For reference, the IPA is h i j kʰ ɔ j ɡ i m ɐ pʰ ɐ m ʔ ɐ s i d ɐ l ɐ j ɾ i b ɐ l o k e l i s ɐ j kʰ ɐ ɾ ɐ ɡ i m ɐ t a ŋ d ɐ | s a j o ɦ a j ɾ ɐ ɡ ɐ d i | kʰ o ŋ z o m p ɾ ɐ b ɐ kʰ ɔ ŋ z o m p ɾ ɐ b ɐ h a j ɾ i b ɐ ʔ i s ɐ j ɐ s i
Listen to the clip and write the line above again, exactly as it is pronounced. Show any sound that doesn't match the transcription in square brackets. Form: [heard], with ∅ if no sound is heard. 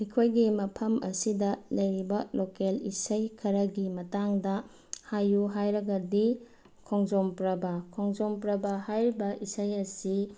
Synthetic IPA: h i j kʰ [o] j ɡ i m ɐ pʰ ɐ m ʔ ɐ s i d ɐ l ɐ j ɾ i b ɐ l o k e l i s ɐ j kʰ ɐ ɾ ɐ ɡ i m ɐ t a ŋ d ɐ | [h] a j [u] ɦ a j ɾ ɐ ɡ ɐ d i | kʰ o ŋ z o m p ɾ ɐ b ɐ kʰ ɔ ŋ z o m p ɾ ɐ b ɐ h a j ɾ i b ɐ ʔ i s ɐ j ɐ s i